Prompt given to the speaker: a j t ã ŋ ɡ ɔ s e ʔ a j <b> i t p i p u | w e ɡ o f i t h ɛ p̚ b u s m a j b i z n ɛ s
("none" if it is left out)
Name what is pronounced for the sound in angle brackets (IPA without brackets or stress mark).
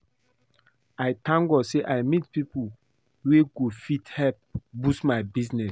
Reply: m